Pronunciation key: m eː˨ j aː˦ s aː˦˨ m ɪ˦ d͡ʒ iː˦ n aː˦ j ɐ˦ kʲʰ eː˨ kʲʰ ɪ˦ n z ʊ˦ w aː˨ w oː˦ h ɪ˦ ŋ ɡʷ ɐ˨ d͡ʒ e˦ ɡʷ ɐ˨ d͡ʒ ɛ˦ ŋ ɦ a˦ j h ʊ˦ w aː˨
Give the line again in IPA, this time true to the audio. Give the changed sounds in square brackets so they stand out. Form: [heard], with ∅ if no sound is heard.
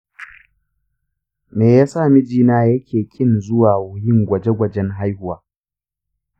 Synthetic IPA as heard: m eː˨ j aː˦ s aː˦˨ m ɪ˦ d͡ʒ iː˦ n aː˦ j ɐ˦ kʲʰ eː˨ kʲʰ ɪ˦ n z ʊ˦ w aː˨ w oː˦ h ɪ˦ ŋ ɡʷ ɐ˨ d͡ʒ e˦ ɡʷ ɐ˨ d͡ʒ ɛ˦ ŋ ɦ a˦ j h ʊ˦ w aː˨